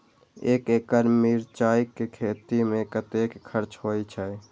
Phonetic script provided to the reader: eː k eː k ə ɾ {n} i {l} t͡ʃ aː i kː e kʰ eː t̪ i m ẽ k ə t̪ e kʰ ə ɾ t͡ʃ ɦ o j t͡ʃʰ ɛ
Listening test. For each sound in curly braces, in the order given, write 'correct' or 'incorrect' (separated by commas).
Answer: incorrect, incorrect